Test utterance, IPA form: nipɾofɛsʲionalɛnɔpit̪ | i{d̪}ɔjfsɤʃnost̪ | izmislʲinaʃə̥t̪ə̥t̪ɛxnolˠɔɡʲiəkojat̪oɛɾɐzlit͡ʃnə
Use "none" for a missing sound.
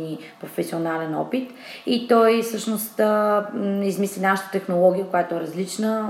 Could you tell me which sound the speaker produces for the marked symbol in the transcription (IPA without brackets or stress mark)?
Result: t̪